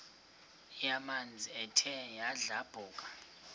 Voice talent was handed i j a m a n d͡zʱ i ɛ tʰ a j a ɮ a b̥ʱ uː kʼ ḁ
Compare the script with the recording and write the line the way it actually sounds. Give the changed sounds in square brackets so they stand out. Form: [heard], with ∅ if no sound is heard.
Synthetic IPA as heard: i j a m a n d͡zʱ i ɛ tʰ [ɛ] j a ɮ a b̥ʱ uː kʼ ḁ